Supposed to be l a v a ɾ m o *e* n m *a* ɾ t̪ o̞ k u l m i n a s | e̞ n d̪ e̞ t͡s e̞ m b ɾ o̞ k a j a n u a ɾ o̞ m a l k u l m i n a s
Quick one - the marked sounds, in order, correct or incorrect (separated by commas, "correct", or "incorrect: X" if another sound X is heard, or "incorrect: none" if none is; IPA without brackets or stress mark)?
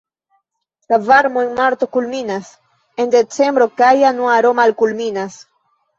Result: correct, correct